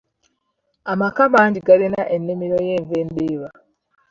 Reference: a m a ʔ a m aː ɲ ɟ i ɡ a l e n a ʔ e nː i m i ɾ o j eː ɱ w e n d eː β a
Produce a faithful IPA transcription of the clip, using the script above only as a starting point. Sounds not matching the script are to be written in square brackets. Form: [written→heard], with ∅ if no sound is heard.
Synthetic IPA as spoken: a m a [ʔ→k] a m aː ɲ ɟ i ɡ a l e n a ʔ e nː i m i ɾ o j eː ɱ [w→v] e n d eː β a

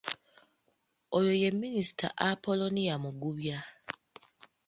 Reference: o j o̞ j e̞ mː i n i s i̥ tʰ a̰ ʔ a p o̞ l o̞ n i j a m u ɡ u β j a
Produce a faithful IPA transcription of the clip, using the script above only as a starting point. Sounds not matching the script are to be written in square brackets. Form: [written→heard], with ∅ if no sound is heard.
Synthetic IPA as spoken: o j o̞ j e̞ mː i n i s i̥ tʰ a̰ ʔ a p o̞ l o̞ n i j a m u ɡ u β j a

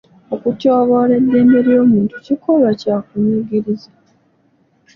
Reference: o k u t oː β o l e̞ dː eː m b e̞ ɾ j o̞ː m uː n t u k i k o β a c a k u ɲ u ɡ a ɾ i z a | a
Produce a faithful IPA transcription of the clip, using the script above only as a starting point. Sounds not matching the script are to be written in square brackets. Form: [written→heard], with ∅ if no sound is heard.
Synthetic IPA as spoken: o k u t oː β o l e̞ dː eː m b e̞ ɾ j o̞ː m uː n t u [k→c] i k o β a c a k u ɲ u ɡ [a→i] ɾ i z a | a

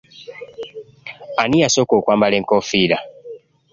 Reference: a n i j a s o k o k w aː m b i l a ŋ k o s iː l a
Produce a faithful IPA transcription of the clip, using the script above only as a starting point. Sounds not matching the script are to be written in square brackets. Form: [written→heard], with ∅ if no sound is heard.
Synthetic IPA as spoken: a n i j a s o k o k w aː m b [i→a] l [a→e] ŋ k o [s→f] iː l a

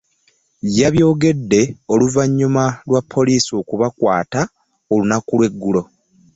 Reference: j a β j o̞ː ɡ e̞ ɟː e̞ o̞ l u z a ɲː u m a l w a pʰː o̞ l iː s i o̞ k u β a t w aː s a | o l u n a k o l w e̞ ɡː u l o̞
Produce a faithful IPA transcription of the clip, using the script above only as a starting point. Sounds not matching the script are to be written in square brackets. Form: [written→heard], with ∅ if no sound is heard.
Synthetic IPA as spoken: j a β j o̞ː ɡ e̞ [ɟː→dː] e̞ o̞ l u [z→v] a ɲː u m a l w a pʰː o̞ l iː s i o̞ k u β a [t→k] w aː [s→t] a | o l u n a k [o→u] l w e̞ ɡː u l o̞

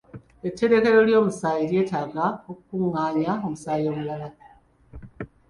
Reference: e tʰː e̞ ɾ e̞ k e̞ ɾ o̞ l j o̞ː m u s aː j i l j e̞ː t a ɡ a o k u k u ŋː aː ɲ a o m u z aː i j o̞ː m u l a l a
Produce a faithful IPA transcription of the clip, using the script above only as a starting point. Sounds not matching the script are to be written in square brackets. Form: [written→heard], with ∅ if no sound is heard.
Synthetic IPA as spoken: e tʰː e̞ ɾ e̞ k e̞ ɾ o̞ l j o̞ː m u s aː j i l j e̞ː t a ɡ a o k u k u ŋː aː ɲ a o m u [z→s] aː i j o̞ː m u l a l a

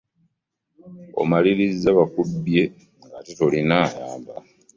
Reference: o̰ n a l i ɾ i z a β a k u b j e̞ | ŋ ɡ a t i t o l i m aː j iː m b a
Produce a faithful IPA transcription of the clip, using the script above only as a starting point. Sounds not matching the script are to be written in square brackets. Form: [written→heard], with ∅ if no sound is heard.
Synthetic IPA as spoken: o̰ [n→m] a l i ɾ i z a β a k u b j e̞ | ŋ ɡ a t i t o l i [m→n] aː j [iː→aː] m b a

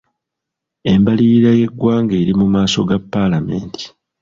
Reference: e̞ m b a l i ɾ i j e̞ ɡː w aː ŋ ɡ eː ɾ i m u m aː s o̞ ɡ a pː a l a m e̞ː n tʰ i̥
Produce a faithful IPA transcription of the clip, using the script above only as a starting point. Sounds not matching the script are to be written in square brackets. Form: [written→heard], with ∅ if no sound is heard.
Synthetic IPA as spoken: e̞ m b a l i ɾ [i→a] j e̞ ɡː w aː ŋ ɡ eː ɾ i m u m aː s o̞ ɡ a pː a l a m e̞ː n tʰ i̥

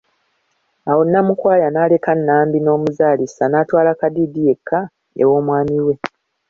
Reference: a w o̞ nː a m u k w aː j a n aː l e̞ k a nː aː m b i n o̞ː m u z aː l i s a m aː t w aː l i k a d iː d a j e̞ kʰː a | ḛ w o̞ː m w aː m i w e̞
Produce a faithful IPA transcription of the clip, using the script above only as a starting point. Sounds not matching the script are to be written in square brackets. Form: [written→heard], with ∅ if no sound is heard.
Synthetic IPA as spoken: a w o̞ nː a m u k w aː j a n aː l e̞ k a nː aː m b i n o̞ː m u z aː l i s a [m→n] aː t w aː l [i→a] k a d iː d [a→i] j e̞ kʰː a | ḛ w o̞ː m w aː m i w e̞

